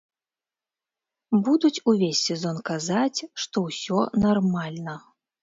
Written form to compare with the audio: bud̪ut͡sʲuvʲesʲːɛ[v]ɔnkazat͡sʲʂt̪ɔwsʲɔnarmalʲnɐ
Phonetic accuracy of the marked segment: incorrect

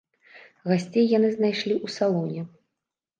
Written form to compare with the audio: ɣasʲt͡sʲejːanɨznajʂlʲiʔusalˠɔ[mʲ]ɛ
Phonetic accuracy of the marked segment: incorrect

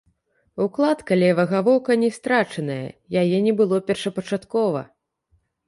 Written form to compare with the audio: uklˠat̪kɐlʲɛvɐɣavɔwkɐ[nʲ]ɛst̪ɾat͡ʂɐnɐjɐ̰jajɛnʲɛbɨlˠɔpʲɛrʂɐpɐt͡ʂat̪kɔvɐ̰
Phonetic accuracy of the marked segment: correct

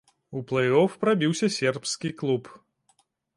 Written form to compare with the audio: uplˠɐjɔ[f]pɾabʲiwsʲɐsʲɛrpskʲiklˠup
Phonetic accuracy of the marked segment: correct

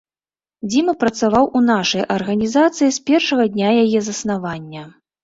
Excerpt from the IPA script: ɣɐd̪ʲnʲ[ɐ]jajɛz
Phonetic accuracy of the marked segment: incorrect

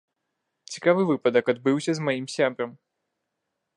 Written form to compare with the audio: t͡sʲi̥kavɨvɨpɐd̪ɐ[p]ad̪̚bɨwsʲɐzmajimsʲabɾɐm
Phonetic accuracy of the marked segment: incorrect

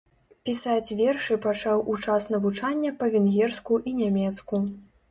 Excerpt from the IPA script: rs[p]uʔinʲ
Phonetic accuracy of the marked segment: incorrect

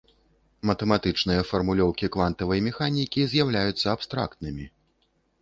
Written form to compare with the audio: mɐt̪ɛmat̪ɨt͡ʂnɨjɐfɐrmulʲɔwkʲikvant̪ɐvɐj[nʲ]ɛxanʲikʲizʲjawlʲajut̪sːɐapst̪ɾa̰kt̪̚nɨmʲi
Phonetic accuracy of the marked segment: incorrect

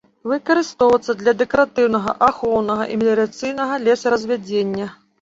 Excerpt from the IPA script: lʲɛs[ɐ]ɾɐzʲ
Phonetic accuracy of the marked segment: correct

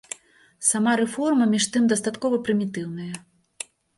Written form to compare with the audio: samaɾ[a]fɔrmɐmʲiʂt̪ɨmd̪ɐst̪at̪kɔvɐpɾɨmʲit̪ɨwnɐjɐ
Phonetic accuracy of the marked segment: incorrect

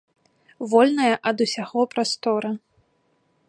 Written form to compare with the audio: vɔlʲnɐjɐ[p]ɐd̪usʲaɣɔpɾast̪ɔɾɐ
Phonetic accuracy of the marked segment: incorrect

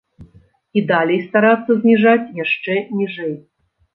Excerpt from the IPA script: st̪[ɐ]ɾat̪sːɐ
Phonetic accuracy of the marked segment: incorrect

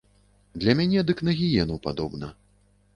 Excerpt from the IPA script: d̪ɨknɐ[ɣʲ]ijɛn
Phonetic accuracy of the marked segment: correct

